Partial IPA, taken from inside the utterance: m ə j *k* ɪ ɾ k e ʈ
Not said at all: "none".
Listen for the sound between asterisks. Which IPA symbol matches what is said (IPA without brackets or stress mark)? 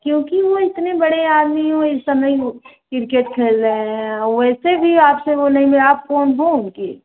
k